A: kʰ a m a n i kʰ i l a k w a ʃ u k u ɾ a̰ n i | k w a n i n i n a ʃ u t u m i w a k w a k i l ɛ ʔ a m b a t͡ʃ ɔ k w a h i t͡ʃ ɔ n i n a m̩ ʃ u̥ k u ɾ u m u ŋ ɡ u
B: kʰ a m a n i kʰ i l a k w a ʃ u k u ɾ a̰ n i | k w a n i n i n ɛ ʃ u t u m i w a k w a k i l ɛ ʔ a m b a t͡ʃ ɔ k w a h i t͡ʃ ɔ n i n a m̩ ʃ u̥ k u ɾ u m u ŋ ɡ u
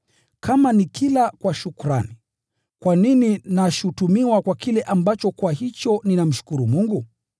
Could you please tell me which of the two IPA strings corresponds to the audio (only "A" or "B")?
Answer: A